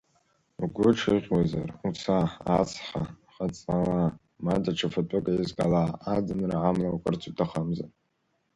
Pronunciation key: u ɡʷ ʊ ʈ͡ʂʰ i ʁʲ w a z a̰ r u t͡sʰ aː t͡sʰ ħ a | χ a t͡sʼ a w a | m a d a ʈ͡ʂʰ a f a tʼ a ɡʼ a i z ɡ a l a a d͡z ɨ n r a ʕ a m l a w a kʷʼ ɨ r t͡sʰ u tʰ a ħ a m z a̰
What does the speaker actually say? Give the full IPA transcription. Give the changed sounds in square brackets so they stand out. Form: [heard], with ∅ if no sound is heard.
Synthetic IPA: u ɡʷ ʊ ʈ͡ʂʰ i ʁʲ w a z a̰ r u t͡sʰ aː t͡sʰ ħ a | χ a t͡sʼ a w a | m a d a ʈ͡ʂʰ a f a tʼ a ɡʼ a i z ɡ a l a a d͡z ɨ n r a ʕ a m l a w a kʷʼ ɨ r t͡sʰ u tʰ a [χ] a m z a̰